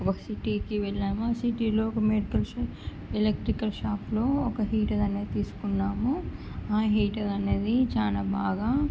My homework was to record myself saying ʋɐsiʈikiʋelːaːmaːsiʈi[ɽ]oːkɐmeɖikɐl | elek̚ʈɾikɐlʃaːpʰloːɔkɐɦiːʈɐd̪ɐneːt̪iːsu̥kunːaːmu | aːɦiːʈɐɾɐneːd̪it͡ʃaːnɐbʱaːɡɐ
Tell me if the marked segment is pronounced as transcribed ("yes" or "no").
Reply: no